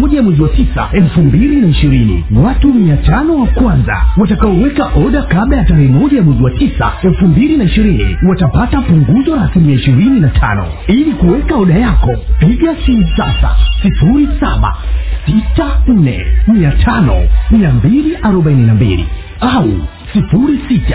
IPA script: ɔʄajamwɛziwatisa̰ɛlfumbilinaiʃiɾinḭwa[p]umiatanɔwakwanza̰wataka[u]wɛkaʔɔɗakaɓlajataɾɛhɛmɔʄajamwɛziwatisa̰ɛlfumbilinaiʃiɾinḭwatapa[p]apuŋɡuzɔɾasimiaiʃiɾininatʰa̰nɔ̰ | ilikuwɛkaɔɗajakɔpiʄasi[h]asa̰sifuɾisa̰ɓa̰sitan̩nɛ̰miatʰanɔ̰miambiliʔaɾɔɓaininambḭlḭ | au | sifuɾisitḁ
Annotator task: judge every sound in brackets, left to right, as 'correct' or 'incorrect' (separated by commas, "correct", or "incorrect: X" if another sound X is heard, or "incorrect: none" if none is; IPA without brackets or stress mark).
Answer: incorrect: t, incorrect: ɔ, incorrect: t, incorrect: s